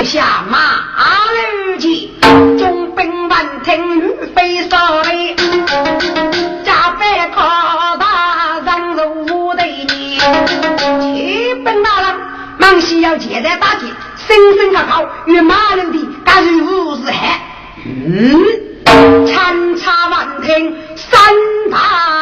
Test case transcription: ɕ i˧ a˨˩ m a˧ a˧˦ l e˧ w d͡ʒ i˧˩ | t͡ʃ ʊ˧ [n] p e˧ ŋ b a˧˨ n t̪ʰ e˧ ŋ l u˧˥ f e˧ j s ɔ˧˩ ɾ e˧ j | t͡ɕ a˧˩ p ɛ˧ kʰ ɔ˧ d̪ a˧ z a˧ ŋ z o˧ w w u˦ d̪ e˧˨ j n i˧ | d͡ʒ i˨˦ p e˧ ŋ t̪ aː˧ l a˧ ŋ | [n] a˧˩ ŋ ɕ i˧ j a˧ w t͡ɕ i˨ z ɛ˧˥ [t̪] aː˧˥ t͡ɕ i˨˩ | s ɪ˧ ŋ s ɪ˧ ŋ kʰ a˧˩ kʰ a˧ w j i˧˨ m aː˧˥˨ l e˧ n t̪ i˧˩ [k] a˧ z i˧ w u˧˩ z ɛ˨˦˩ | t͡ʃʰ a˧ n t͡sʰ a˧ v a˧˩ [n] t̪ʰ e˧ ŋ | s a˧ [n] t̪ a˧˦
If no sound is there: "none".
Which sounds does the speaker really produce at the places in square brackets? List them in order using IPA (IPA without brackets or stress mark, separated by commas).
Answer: ŋ, m, t̪, k, n, n